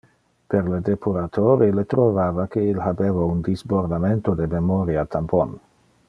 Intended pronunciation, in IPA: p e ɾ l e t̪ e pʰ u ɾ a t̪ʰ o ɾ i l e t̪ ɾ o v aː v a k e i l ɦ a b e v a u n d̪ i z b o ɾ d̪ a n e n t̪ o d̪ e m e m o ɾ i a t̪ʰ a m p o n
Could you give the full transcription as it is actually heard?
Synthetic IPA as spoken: p e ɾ l e d̪ e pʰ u ɾ a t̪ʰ o ɾ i l e t̪ ɾ o v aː v a k e i l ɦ a b e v a u n d̪ i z b o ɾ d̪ a m e n t̪ o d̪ e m e m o ɾ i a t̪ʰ a m p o n